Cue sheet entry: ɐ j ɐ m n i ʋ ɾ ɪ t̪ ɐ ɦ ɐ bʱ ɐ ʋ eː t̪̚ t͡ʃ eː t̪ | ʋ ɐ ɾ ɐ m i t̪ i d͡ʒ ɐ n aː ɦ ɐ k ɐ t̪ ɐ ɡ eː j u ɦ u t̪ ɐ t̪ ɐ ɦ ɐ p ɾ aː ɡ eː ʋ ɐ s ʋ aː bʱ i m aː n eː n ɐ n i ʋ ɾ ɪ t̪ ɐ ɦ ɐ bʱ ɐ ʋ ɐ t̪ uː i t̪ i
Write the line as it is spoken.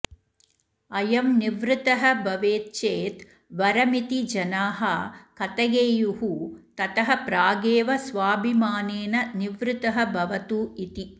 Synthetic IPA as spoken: ɐ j ɐ m n i ʋ ɾ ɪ t̪ ɐ ɦ ɐ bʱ ɐ ʋ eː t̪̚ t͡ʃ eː t̪ | ʋ ɐ ɾ ɐ m i t̪ i d͡ʒ ɐ n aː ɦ ɐ k ɐ t̪ ɐ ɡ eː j u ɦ u t̪ ɐ t̪ ɐ ɦ ɐ p ɾ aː ɡ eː ʋ ɐ s ʋ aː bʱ i m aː n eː n ɐ n i ʋ ɾ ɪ t̪ ɐ ɦ ɐ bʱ ɐ ʋ ɐ t̪ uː i t̪ i